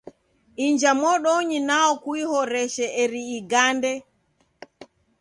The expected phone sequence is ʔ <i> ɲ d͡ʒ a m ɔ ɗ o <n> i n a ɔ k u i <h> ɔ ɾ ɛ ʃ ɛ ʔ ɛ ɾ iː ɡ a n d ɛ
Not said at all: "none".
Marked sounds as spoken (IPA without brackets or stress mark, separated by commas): i, ɲ, h